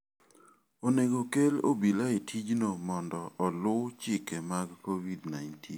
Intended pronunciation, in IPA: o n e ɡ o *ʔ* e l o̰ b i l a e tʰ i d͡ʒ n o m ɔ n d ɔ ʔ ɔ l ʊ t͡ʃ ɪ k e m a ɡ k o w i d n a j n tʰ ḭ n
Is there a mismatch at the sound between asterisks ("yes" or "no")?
yes